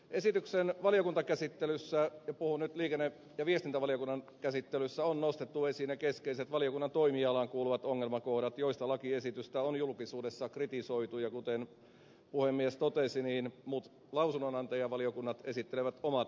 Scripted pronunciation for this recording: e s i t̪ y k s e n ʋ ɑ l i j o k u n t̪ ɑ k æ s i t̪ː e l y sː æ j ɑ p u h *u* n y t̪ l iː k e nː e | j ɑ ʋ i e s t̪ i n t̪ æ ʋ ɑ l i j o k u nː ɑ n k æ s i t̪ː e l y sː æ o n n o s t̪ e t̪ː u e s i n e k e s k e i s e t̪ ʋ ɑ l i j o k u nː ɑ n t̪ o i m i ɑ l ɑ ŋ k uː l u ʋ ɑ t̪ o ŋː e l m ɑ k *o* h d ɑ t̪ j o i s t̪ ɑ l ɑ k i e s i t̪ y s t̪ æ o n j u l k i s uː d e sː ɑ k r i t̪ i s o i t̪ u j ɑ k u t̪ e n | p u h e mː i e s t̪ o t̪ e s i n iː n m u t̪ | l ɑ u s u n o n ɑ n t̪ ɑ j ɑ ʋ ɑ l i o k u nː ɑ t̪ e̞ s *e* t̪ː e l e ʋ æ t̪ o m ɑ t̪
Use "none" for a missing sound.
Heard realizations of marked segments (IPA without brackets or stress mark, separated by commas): u, o, i